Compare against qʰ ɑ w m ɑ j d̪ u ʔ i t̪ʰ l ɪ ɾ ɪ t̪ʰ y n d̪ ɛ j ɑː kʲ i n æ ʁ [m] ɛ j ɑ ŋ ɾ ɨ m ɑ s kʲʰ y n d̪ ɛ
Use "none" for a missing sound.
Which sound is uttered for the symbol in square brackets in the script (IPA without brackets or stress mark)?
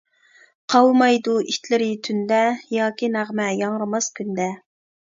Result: m